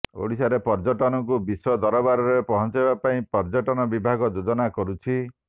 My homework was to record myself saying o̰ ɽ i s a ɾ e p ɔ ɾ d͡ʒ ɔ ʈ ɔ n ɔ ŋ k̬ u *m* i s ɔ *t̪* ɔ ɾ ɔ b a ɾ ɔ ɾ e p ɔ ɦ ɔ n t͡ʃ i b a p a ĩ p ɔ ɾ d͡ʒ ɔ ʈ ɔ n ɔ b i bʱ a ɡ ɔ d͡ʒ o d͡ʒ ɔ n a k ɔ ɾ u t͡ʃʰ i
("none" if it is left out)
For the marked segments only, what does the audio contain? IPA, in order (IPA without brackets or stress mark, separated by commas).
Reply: b, d̪